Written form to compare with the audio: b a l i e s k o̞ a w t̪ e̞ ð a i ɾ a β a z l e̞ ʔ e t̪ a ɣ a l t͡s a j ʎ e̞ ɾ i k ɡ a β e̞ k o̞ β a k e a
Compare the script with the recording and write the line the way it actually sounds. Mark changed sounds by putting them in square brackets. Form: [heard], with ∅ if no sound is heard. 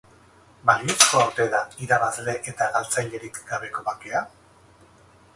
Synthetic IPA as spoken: b a l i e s k o̞ a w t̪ e̞ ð a i ɾ a β a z l e̞ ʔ e t̪ a ɣ a l t͡s a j ʎ e̞ ɾ i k ɡ a β e̞ k o̞ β a k e a